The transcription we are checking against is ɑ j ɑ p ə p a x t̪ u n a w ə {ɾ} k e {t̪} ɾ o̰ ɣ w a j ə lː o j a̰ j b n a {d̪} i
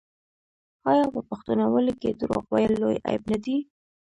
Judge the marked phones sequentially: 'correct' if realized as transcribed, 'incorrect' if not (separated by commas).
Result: incorrect, incorrect, correct